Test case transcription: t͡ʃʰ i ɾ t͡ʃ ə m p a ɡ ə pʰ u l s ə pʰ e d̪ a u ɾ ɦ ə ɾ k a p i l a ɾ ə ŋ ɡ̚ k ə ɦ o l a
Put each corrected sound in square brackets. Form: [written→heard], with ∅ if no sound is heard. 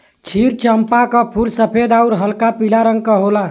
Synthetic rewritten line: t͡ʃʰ i ɾ t͡ʃ ə m p a [ɡ→k] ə pʰ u l s ə pʰ e d̪ a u ɾ ɦ ə [ɾ→l] k a p i l a ɾ ə ŋ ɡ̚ k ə ɦ o l a

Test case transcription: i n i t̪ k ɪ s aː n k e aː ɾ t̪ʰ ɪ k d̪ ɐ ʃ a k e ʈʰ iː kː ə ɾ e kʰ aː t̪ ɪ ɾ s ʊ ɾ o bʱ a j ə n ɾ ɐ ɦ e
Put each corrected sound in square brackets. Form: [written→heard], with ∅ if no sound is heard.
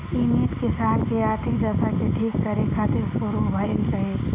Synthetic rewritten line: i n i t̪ k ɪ s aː n k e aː ɾ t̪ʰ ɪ k d̪ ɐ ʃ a k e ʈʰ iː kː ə ɾ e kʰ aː t̪ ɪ ɾ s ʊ ɾ [o→u] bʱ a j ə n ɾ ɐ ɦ e

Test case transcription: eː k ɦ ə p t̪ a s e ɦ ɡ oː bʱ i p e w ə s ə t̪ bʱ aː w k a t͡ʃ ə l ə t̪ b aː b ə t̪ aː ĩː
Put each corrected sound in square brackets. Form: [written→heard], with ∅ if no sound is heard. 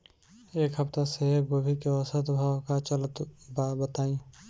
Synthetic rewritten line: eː k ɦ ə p t̪ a s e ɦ ɡ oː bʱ i [p→k] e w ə s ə t̪ bʱ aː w k a t͡ʃ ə l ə t̪ b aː b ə t̪ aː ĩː

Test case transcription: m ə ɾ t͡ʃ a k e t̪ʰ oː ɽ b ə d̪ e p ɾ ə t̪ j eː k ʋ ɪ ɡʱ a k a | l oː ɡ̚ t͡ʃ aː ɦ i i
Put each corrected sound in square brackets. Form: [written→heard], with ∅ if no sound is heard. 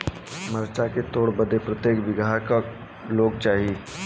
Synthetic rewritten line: m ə ɾ t͡ʃ a k e [t̪ʰ→t̪] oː ɽ b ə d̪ e p ɾ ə t̪ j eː k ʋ ɪ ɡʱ a k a | l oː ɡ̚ t͡ʃ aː ɦ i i

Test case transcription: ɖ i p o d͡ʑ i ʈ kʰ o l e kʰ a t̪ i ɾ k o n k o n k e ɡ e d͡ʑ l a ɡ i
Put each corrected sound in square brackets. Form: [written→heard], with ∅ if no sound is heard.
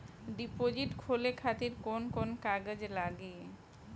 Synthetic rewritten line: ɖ i p o d͡ʑ i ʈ kʰ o l e kʰ a t̪ i ɾ k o n k o n k [e→a] ɡ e d͡ʑ l a ɡ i

